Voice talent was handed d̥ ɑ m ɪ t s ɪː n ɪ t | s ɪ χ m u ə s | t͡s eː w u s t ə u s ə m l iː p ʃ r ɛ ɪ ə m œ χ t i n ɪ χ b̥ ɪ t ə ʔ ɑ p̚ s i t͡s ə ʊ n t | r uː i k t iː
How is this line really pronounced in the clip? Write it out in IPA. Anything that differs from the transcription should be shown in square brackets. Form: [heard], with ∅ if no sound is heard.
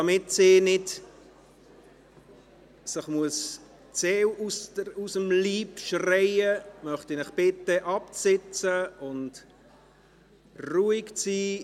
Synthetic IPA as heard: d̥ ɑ m ɪ t s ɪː n ɪ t | s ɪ χ m u ə s | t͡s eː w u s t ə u s ə m l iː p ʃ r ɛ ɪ ə m œ χ t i n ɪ χ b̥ ɪ t ə ʔ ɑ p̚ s [ɪ] t͡s ə ʊ n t | r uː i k [t͡s] iː

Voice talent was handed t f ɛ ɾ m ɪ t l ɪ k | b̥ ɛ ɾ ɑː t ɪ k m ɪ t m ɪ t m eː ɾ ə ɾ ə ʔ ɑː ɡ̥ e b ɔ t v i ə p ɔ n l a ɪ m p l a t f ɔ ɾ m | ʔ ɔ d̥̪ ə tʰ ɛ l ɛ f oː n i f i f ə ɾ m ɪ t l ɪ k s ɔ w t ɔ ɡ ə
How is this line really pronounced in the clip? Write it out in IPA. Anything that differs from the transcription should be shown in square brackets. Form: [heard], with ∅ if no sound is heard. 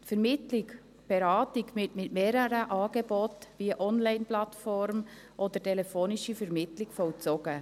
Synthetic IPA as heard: t f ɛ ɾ m ɪ t l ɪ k | b̥ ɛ ɾ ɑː t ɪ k m ɪ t m ɪ t m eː ɾ ə ɾ ə ʔ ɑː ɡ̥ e b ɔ t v i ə [ʔ] ɔ n l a ɪ [n] p l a t f ɔ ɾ m | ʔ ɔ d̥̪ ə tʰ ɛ l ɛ f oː n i [ʃ] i f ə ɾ m ɪ t l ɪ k [f] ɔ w [t͡s] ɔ ɡ ə

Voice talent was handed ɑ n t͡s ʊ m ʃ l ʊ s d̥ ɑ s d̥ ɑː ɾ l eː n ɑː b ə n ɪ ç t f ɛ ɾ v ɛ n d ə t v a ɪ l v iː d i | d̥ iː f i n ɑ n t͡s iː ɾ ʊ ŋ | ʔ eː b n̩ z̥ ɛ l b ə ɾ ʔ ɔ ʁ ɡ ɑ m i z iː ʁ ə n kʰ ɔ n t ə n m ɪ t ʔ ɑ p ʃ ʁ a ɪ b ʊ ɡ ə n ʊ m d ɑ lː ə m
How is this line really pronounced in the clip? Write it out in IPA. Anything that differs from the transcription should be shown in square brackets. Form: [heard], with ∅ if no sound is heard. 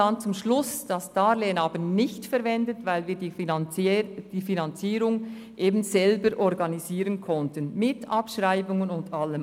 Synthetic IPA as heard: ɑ n t͡s ʊ m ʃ l ʊ s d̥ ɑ s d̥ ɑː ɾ l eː n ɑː b ə n ɪ ç t f ɛ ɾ v ɛ n d ə t v a ɪ l v iː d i | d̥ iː f i n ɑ n t͡s iː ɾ ʊ ŋ | ʔ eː b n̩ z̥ ɛ l b ə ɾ ʔ ɔ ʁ ɡ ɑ [n] i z iː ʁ ə n kʰ ɔ n t ə n m ɪ t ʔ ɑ p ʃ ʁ a ɪ b ʊ [ŋ] ə n ʊ [n] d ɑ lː ə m

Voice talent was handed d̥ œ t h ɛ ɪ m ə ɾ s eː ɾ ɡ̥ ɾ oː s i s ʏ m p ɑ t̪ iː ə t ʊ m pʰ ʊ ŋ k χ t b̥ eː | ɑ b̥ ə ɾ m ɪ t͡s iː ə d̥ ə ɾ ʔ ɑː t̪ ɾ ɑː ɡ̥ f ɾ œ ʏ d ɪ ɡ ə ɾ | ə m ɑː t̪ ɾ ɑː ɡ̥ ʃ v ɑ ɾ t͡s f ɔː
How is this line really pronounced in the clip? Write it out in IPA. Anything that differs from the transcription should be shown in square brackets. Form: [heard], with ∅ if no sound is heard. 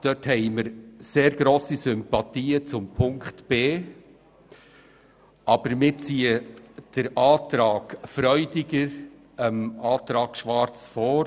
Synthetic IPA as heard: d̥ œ t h ɛ ɪ m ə ɾ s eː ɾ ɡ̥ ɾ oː s i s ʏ m p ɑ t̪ iː ə [t͡s] ʊ m pʰ ʊ ŋ k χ t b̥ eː | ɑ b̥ ə ɾ m ɪ t͡s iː ə d̥ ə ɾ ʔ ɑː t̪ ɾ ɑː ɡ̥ f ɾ œ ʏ d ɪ ɡ ə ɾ | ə m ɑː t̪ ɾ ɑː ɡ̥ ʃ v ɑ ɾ t͡s f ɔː

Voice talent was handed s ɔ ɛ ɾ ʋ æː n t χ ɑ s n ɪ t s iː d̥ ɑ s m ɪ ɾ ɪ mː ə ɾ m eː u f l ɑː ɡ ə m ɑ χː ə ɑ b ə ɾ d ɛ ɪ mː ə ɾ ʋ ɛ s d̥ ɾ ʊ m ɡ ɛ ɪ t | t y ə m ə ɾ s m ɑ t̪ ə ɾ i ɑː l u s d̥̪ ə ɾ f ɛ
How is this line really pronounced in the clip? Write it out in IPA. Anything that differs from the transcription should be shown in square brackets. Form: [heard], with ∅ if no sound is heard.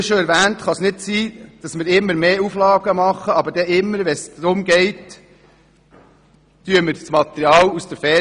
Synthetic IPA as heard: [ʃ] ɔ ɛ ɾ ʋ æː n t χ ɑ s n ɪ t s iː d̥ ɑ s m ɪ ɾ ɪ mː ə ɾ m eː u f l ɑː ɡ ə m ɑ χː ə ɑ b ə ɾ d ɛ ɪ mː ə ɾ ʋ ɛ s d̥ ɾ ʊ m ɡ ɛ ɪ t | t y ə m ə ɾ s m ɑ t̪ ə ɾ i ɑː l u s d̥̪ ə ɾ f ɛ

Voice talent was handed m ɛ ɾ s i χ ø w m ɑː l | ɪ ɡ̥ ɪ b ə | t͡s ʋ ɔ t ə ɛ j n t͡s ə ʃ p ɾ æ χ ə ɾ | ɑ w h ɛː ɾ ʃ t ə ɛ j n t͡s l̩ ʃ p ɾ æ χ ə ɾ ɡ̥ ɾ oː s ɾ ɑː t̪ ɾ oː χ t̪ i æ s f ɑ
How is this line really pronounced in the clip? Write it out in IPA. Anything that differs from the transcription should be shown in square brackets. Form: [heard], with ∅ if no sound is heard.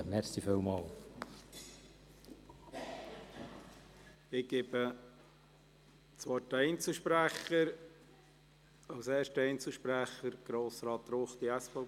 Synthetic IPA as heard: m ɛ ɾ s i [f] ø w m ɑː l | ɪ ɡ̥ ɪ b ə | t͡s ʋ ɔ t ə ɛ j n t͡s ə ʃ p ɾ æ χ ə ɾ | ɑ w [s] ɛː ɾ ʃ t ə ɛ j n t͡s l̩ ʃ p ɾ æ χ ə ɾ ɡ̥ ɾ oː s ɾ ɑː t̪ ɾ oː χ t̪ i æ s f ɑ

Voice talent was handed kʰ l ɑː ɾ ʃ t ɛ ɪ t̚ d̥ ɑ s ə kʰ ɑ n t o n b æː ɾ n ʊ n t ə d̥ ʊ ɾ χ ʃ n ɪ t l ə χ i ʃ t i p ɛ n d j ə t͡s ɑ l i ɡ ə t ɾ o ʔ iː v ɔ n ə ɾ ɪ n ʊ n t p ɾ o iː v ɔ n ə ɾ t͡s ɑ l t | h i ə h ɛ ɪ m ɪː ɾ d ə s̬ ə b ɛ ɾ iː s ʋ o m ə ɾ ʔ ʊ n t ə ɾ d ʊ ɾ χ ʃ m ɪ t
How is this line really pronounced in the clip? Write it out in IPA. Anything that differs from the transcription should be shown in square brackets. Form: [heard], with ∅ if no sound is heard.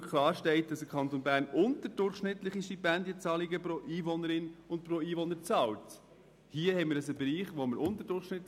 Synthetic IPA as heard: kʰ l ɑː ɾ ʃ t ɛ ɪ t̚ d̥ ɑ s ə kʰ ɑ n t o n b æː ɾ n ʊ n t ə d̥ ʊ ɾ χ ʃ n ɪ t l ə χ i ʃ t i p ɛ n d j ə t͡s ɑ l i ɡ ə [p] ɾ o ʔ iː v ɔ n ə ɾ ɪ n ʊ n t p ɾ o iː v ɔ n ə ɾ t͡s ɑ l t | h i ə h ɛ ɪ m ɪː ɾ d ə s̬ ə b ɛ ɾ iː [χ] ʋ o m ə ɾ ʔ ʊ n t ə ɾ d ʊ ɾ χ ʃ [n] ɪ t

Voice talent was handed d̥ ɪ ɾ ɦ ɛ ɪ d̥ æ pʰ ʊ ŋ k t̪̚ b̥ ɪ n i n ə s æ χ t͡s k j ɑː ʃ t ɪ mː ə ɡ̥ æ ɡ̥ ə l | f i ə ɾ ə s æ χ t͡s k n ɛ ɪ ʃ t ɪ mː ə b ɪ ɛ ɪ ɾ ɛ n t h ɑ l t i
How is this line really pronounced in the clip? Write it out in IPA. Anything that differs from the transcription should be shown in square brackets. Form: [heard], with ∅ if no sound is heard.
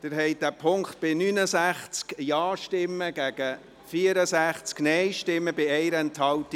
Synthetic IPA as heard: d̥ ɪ ɾ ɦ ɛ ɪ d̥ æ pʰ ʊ ŋ k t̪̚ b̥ ɪ n [y] n ə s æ χ t͡s k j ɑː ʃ t ɪ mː ə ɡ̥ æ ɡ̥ ə [∅] | f i ə ɾ ə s æ χ t͡s k n ɛ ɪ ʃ t ɪ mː ə b ɪ ɛ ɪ ɾ ɛ n t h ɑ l t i

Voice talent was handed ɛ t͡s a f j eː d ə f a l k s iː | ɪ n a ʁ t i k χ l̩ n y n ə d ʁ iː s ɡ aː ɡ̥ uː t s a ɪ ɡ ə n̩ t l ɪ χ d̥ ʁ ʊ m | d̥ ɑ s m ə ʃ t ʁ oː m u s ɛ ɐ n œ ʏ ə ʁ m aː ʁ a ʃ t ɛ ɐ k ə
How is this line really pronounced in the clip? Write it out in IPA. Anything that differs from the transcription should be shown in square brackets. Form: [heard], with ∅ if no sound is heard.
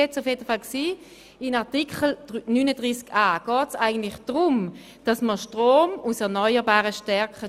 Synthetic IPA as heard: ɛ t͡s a f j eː d ə f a l k s iː | ɪ n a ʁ t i k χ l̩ n y n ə d ʁ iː s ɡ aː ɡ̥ [ɔː] t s a ɪ ɡ ə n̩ t l ɪ χ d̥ ʁ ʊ m | d̥ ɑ s m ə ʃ t ʁ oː m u s ɛ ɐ n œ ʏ ə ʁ [b] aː ʁ [ə] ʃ t ɛ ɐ k ə

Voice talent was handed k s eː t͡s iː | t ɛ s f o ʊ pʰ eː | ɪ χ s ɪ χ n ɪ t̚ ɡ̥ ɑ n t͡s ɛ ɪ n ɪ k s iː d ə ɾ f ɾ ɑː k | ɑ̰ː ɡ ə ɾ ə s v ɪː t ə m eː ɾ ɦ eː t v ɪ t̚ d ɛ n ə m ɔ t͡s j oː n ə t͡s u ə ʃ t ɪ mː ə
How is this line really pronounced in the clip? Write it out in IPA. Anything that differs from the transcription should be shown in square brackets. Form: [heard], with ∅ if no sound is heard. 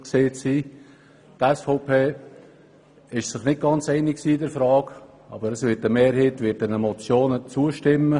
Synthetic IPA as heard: k s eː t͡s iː | t ɛ s f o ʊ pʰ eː | ɪ [ʃ] s ɪ χ n ɪ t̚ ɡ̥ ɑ n t͡s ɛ ɪ n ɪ k s iː d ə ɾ f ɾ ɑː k | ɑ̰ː [b] ə ɾ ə s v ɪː t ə m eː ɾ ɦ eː t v ɪ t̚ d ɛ n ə m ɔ t͡s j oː n ə t͡s u ə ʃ t ɪ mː ə

